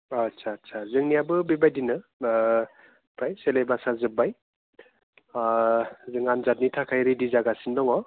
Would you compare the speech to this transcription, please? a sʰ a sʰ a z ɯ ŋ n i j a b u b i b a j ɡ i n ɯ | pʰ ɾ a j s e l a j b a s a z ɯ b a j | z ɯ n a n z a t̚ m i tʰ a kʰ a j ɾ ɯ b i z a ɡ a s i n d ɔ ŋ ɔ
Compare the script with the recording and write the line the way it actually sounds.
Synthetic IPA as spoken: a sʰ a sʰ a z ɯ ŋ n i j a b ɯ b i b a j d i n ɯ | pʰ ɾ a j s e l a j b a s a z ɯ b a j | z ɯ ŋ a n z a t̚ n i tʰ a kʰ a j ɾ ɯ d i z a ɡ a s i n d ɔ ŋ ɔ